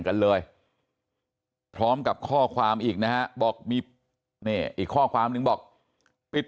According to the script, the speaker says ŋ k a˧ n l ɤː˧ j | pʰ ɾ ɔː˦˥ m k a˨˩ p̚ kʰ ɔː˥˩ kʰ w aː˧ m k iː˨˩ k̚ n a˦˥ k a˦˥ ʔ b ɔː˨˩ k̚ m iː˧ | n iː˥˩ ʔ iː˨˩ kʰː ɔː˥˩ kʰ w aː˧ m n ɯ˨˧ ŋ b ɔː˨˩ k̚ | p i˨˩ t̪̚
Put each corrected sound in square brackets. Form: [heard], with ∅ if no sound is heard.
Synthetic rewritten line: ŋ k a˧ n l ɤː˧ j | pʰ ɾ ɔː˦˥ m k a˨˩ p̚ kʰ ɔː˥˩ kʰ w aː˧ m [ʔ] iː˨˩ k̚ n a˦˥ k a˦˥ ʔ b ɔː˨˩ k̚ m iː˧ | n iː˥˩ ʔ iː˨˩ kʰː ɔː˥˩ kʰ w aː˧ m n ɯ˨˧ ŋ b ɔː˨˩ k̚ | p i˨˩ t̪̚